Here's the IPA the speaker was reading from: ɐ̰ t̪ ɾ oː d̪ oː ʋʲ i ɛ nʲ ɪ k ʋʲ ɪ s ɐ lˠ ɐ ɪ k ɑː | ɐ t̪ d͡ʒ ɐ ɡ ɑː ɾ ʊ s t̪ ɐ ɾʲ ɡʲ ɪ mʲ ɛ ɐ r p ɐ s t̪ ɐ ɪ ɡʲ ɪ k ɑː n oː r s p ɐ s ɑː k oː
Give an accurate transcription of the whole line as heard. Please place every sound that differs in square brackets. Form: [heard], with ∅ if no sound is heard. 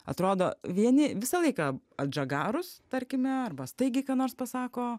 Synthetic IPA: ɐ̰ t̪ ɾ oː d̪ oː ʋʲ i ɛ nʲ ɪ [∅] ʋʲ ɪ s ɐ lˠ ɐ ɪ k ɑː | ɐ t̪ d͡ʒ ɐ ɡ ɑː ɾ ʊ s t̪ ɐ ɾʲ [kʲ] ɪ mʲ ɛ ɐ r [b] ɐ s t̪ ɐ ɪ ɡʲ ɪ k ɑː n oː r s p ɐ s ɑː k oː